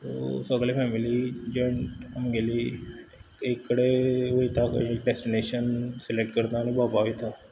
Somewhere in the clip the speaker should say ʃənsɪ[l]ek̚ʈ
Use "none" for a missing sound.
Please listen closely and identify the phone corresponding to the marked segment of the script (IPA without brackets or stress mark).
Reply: l